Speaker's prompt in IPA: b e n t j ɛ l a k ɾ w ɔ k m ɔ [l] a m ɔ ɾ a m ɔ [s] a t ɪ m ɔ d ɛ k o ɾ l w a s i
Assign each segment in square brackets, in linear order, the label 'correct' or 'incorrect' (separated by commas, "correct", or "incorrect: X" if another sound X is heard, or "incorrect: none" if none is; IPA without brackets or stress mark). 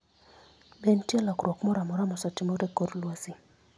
incorrect: ɾ, correct